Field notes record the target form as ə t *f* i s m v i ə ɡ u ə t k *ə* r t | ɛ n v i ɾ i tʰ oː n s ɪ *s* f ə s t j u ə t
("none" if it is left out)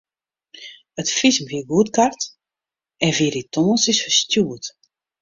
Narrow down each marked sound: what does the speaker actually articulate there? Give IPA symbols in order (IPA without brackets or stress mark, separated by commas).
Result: f, a, s